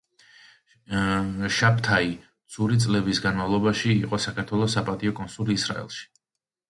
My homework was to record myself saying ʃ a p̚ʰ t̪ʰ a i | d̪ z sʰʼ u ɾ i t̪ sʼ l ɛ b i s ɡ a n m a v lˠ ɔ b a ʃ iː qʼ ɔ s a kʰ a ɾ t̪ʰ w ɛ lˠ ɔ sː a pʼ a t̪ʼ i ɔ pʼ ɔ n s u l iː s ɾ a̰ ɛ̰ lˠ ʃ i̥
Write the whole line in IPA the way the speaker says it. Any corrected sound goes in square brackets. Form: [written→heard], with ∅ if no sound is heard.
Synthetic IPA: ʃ a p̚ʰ t̪ʰ a i | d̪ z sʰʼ u ɾ i t̪ sʼ l ɛ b i s ɡ a n m a v lˠ ɔ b a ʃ iː qʼ ɔ s a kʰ a ɾ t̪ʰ w ɛ lˠ ɔ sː a pʼ a t̪ʼ i ɔ [pʼ→kʼ] ɔ n s u l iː s ɾ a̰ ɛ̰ lˠ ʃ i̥